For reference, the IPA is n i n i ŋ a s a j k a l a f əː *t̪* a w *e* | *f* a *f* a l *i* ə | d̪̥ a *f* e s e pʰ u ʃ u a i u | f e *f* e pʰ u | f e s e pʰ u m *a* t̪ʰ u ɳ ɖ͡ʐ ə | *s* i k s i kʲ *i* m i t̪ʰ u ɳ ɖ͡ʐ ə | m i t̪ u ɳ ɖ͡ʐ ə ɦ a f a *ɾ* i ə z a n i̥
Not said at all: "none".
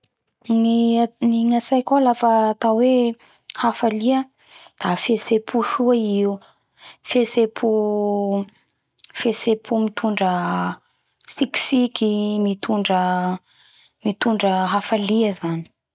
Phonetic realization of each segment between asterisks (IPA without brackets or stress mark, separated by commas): t̪, e, h, f, i, f, s, i, s, i, l